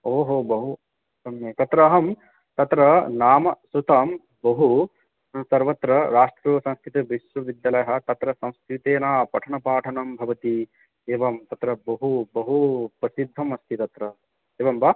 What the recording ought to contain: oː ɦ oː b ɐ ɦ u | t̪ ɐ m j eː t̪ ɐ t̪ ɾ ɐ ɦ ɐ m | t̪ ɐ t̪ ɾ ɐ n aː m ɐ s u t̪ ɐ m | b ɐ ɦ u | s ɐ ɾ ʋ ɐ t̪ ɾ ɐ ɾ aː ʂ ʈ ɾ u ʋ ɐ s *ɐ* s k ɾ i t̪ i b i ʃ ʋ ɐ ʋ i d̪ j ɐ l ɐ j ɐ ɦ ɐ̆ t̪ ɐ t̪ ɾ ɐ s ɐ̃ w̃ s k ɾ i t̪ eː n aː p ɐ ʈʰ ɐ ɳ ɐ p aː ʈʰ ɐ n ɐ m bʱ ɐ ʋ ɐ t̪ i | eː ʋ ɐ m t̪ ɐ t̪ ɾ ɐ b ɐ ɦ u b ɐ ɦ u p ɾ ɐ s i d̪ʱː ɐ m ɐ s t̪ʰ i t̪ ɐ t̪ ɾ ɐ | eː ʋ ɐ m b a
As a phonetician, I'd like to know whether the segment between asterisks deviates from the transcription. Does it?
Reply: yes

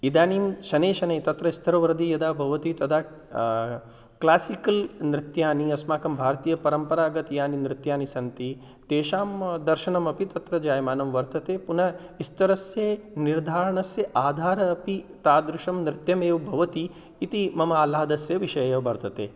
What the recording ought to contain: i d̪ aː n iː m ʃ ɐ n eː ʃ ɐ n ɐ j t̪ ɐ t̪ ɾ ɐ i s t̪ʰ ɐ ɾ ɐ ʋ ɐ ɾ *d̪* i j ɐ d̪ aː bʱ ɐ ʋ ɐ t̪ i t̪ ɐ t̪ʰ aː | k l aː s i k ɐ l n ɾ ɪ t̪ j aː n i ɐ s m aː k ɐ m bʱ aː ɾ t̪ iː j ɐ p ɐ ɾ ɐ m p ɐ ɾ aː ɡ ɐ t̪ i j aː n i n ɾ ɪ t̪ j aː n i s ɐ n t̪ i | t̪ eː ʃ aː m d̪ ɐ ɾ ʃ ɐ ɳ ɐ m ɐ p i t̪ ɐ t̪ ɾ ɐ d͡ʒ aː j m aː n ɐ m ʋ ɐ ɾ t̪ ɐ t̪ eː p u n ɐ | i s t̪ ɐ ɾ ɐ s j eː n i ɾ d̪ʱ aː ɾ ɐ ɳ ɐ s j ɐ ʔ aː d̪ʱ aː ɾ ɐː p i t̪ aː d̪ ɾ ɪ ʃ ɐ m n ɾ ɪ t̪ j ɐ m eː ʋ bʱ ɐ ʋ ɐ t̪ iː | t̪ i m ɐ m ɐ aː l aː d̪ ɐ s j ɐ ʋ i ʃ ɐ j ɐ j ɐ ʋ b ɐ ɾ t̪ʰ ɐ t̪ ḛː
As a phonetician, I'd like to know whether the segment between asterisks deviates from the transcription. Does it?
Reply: no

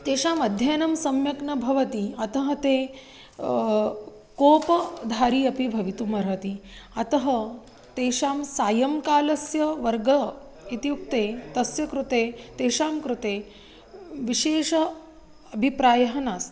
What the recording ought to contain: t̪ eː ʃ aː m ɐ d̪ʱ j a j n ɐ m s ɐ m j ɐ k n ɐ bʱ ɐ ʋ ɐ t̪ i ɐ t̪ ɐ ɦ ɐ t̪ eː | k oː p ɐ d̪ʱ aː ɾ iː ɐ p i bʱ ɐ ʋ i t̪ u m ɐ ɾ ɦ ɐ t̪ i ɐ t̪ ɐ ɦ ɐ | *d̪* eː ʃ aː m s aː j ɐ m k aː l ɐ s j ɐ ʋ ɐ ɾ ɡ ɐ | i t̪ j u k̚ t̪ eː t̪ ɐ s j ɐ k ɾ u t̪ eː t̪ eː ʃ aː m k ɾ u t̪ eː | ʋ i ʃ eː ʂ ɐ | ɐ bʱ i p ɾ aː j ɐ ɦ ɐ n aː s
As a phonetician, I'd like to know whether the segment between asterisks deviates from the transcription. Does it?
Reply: yes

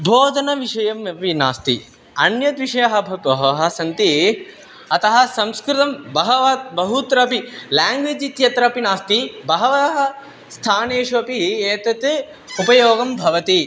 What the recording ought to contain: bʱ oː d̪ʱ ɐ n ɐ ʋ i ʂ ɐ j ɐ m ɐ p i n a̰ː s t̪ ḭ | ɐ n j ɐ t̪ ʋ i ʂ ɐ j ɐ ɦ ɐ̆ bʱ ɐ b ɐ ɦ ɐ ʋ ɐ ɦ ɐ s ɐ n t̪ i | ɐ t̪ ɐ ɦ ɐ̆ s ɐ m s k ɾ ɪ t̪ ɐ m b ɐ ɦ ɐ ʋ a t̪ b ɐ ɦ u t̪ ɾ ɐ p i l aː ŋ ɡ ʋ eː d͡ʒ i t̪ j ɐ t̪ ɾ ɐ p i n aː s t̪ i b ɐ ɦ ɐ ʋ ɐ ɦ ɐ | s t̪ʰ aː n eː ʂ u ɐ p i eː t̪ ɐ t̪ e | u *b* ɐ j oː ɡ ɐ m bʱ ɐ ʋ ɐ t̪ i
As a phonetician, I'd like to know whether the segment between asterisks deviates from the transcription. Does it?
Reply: yes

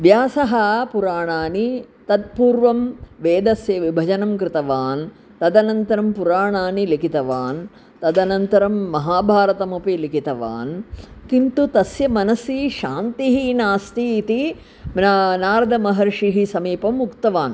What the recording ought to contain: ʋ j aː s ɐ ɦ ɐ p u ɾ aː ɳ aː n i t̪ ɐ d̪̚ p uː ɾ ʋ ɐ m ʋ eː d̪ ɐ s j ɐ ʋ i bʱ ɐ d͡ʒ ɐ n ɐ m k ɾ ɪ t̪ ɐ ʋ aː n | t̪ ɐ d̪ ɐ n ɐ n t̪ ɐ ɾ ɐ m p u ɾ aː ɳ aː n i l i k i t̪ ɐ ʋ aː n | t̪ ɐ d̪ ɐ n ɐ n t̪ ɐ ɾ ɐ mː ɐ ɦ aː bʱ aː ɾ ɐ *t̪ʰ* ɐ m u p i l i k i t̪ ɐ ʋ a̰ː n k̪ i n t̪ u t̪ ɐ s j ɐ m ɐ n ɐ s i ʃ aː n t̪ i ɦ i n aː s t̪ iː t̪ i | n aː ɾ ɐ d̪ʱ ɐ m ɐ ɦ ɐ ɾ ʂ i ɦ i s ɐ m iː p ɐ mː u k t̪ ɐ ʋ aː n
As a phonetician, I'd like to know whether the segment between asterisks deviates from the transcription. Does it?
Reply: yes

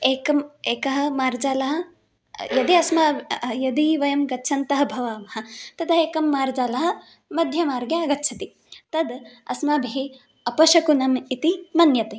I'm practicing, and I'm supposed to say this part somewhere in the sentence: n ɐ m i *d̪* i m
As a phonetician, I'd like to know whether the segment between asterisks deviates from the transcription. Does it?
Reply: yes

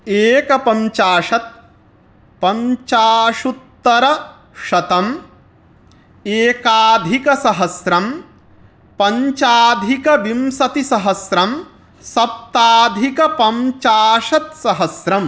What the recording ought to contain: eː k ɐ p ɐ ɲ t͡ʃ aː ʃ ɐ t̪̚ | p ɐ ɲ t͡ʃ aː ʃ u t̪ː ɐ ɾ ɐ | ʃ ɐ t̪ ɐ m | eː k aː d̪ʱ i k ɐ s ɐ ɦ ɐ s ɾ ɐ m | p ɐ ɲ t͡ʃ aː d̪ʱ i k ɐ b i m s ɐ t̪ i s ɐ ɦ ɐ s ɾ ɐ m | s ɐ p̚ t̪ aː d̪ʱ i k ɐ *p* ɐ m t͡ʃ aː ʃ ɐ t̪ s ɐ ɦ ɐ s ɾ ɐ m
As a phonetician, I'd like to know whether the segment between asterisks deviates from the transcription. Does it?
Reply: no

